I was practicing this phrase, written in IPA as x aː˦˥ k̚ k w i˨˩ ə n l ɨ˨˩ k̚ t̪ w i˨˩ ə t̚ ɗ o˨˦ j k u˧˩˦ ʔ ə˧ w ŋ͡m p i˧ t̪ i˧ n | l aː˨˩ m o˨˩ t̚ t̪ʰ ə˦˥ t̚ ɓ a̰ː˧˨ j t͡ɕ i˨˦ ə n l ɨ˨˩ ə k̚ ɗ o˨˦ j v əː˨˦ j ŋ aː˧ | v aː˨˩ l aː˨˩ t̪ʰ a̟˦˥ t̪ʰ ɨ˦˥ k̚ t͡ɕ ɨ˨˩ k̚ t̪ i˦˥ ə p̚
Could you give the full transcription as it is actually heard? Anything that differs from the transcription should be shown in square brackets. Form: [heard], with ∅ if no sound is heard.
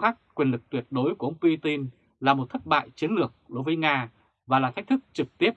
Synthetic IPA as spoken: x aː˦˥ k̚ k w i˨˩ ə n l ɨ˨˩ k̚ t̪ w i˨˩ ə t̚ ɗ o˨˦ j k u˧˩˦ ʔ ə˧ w ŋ͡m p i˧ t̪ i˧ n | l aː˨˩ m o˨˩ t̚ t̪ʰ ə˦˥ t̚ ɓ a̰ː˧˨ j t͡ɕ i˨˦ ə n l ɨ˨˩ ə k̚ ɗ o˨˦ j v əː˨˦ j ŋ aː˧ | v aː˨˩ l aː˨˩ t̪ʰ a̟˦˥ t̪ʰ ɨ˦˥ k̚ t͡ɕ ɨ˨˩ k̚ t̪ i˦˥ ə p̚